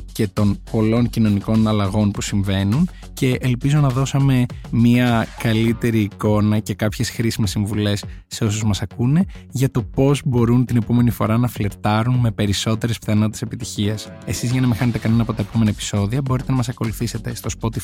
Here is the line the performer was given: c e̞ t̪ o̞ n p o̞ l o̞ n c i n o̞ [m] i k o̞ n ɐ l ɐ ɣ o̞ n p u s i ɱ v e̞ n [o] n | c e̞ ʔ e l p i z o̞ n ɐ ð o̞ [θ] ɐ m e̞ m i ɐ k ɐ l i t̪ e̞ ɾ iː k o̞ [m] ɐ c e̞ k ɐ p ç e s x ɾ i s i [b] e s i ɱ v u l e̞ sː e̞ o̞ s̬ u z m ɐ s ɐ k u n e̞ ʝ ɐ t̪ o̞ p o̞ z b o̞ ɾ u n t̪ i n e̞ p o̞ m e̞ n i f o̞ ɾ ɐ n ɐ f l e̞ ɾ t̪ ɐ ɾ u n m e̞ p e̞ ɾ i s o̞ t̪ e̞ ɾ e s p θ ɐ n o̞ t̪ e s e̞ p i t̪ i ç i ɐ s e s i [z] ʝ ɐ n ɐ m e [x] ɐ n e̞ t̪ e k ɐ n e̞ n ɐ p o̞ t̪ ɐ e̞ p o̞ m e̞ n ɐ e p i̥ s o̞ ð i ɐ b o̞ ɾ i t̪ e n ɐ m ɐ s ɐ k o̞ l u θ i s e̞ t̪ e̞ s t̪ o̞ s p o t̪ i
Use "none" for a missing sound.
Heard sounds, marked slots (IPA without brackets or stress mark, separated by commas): n, u, s, n, m, z, x